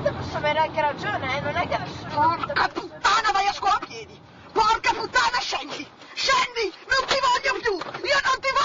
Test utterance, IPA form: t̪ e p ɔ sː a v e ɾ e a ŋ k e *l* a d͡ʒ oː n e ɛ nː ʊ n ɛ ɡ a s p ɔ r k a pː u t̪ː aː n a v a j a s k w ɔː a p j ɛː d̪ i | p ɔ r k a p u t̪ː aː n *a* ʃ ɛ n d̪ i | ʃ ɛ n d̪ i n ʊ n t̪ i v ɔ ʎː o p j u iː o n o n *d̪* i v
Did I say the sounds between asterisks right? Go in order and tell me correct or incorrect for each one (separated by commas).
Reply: incorrect, correct, incorrect